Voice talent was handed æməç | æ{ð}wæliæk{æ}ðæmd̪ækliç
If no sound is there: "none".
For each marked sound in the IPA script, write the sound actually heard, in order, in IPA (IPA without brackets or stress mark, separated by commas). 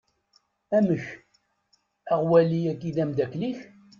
ʁ, i